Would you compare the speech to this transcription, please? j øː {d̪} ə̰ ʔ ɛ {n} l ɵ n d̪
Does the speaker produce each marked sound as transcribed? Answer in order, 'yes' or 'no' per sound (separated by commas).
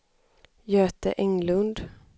no, no